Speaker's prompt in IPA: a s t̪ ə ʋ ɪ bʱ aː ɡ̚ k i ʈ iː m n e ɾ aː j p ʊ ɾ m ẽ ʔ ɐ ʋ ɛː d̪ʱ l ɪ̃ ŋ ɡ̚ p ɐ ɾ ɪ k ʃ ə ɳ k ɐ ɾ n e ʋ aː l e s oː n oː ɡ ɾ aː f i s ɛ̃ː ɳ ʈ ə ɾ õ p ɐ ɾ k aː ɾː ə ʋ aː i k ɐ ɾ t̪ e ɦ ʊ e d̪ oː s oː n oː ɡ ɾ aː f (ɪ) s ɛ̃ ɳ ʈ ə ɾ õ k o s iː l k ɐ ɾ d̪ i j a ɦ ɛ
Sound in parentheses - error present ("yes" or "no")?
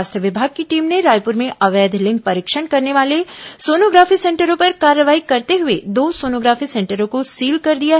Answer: yes